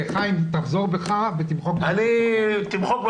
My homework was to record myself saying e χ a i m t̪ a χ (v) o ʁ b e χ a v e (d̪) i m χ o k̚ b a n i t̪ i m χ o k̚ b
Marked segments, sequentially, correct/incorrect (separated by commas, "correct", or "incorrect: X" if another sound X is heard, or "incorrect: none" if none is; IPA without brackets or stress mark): incorrect: z, incorrect: t̪